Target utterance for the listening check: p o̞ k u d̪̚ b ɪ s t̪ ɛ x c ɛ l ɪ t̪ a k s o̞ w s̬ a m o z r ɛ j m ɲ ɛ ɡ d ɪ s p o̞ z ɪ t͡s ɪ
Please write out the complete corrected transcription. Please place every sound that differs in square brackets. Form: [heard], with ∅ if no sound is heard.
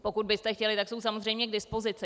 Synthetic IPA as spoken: p o̞ k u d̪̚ b ɪ s t̪ ɛ x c ɛ l ɪ t̪ a k s o̞ w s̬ a m o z r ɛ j m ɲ ɛ ɡ d ɪ s p o̞ z ɪ t͡s ɪ